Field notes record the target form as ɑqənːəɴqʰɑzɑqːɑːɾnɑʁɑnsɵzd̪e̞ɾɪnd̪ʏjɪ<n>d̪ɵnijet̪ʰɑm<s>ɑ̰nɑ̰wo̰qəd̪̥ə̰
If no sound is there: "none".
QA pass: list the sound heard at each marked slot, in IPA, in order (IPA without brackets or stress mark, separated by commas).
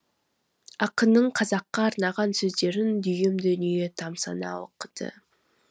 m, s